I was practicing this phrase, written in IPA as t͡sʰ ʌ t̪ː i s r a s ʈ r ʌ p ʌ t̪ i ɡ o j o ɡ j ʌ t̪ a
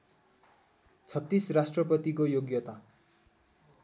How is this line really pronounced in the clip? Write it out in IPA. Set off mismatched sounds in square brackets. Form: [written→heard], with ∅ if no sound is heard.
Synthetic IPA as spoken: t͡sʰ ʌ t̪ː i s r a s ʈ r ʌ p ʌ t̪ i [ɡ→k] o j o ɡ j ʌ t̪ a